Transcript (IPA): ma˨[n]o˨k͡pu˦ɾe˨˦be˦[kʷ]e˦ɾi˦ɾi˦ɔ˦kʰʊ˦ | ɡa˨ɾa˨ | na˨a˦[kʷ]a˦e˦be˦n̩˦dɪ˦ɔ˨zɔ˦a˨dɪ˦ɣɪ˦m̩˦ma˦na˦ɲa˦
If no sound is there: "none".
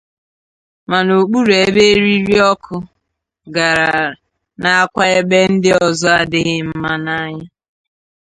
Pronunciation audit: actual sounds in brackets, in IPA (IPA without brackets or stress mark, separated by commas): n, none, kʷ